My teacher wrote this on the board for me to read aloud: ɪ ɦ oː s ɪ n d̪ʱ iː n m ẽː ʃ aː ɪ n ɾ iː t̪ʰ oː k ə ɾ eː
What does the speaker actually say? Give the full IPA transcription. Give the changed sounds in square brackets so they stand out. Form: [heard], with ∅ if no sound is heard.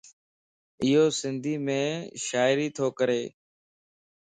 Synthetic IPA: ɪ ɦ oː s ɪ n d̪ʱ iː [∅] m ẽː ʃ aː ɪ [∅] ɾ iː t̪ʰ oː k ə ɾ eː